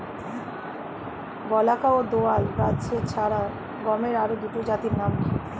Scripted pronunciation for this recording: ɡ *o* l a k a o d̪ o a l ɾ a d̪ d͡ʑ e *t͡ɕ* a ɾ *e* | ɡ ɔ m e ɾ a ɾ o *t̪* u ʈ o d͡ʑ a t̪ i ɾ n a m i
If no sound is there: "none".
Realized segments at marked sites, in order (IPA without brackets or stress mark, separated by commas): ɔ, t͡ɕʰ, a, d̪